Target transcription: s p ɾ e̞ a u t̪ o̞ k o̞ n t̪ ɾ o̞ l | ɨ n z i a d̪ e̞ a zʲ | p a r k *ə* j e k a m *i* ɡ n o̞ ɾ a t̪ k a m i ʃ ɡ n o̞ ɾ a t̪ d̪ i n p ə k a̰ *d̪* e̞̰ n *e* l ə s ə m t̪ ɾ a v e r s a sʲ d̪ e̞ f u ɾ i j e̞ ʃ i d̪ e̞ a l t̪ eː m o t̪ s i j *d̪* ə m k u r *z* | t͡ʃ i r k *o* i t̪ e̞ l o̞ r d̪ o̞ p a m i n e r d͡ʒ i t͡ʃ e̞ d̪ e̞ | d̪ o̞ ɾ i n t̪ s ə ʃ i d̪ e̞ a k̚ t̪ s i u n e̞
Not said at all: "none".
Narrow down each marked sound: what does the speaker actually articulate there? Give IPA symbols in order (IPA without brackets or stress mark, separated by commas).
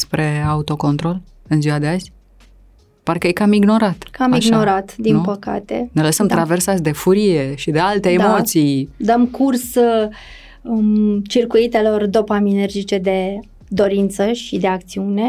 ə, i, t̪, e, d̪, s, u